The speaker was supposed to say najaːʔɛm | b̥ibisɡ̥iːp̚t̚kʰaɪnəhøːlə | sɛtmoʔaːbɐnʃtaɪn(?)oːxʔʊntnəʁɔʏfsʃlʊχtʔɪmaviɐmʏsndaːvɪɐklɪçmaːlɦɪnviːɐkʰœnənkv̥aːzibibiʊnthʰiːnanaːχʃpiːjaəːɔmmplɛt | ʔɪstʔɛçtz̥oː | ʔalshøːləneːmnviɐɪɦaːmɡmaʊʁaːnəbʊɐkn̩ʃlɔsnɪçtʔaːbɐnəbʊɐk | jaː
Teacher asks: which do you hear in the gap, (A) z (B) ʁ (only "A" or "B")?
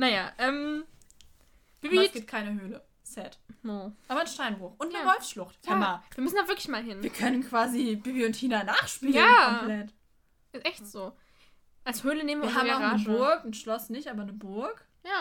B